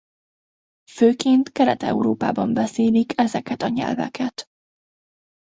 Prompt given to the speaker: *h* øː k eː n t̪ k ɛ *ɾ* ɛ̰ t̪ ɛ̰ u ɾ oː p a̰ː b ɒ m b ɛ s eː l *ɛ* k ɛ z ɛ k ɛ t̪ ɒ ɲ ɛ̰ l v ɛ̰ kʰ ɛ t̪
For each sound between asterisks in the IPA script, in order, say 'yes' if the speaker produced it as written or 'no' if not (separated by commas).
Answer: no, yes, no